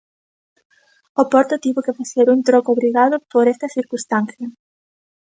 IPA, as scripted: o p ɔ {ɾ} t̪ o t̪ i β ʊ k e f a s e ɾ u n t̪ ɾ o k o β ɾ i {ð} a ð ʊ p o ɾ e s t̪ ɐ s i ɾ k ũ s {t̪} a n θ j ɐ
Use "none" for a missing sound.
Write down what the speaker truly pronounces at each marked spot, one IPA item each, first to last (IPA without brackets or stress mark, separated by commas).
ɾ, ɣ, t̪